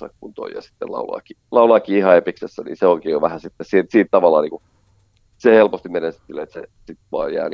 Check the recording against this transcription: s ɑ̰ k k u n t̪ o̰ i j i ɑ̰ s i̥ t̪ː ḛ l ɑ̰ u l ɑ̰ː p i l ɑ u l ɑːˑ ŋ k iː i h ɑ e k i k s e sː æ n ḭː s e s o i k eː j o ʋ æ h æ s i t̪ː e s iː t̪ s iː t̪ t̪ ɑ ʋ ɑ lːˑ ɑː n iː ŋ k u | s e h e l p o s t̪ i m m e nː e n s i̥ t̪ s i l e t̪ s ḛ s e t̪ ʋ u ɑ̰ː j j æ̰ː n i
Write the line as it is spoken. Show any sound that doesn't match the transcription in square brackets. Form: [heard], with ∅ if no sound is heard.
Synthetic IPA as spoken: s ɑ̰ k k u n t̪ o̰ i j [j] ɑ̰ s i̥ t̪ː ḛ l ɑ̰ u l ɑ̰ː [k] i l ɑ u l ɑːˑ [∅] k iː i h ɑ e [p] i k s e sː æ n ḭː s e [∅] o i k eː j o ʋ æ h æ s i t̪ː e s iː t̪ s iː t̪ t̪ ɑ ʋ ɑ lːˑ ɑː n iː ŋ k u | s e h e l p o s t̪ i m m e [n] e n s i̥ t̪ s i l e t̪ s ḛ s [i] t̪ ʋ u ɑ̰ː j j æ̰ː n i